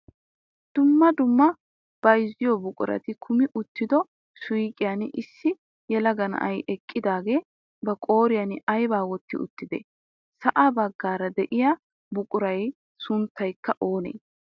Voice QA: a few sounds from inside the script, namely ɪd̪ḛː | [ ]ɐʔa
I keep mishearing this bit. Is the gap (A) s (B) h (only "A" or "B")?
A